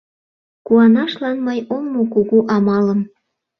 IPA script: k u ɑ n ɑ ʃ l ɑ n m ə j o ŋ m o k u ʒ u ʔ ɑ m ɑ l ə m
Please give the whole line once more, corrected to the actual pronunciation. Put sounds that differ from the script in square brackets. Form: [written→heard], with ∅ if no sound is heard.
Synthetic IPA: k u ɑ n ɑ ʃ l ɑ n m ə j o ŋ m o k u [ʒ→ɣ] u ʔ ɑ m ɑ l ə m